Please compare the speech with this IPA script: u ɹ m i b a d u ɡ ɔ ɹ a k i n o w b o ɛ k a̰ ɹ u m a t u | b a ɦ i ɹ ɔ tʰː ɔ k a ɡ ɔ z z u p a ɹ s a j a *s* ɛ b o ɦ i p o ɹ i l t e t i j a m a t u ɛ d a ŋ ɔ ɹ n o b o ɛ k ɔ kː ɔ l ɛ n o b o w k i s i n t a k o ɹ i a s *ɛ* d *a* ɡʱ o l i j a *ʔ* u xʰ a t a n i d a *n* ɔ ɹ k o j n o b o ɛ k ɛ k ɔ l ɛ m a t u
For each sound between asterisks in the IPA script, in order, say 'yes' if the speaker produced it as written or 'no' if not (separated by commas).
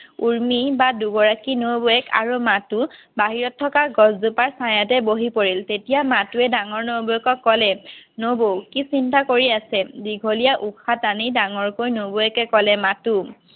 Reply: no, yes, no, yes, no